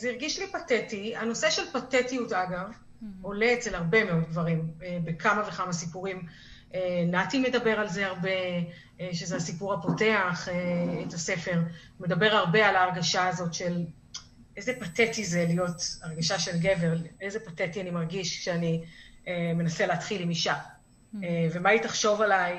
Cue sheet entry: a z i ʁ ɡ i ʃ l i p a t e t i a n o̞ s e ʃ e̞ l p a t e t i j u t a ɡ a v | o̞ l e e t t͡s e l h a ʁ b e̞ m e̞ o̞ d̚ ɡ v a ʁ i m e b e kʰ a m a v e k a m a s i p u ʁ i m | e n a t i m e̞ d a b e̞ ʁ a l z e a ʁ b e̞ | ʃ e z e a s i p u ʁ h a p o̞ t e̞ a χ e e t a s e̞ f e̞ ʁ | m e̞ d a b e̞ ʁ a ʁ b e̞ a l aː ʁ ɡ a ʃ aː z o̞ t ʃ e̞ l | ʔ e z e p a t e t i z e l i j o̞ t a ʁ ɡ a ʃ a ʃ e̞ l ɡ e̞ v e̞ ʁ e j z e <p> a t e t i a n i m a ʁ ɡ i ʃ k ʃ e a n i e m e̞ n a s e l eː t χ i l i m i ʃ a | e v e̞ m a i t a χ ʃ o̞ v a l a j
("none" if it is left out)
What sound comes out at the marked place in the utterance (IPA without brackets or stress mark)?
p